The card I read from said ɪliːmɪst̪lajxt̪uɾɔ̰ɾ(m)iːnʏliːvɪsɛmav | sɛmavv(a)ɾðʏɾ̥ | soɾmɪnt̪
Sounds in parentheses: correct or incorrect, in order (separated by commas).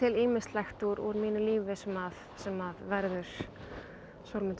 correct, incorrect